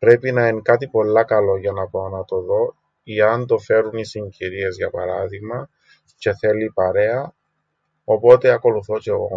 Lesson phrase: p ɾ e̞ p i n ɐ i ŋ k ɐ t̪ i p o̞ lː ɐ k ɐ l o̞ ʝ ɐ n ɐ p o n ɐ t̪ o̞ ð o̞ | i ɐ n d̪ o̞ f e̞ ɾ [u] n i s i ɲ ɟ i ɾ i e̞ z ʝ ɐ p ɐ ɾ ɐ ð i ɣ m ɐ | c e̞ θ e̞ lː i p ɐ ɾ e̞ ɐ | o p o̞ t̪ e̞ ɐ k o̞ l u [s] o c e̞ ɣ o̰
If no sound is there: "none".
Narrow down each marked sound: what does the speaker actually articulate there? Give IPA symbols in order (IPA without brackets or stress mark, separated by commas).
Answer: u, θ